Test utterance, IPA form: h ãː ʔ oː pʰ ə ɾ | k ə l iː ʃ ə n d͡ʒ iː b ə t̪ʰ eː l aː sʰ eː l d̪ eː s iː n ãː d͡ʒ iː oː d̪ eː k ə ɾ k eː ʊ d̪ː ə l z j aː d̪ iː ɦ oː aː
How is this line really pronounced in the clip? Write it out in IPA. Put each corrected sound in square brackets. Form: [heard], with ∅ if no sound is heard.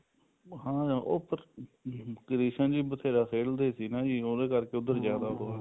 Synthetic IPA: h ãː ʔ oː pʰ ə ɾ | k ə [ɾ] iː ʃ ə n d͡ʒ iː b ə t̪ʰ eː [ɾ] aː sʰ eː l d̪ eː s iː n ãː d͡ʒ iː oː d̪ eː k ə ɾ k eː ʊ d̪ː ə [ɾ] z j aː d̪ [aː] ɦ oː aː